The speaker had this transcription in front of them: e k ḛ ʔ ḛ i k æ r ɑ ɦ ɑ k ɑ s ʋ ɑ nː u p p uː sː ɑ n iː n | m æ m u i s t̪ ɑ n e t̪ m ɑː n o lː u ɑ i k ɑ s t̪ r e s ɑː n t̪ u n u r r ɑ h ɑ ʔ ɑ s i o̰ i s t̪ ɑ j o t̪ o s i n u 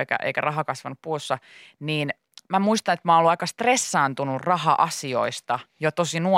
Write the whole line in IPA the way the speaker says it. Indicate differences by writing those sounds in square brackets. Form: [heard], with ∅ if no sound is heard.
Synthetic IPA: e k [æ̰] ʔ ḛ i k æ r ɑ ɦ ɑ k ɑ s ʋ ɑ [n] u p p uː sː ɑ n iː n | m æ m u i s t̪ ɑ n e t̪ m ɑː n o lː u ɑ i k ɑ s t̪ r e [sː] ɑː n t̪ u n u r r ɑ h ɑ ʔ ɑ s i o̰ i s t̪ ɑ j o t̪ o s i n u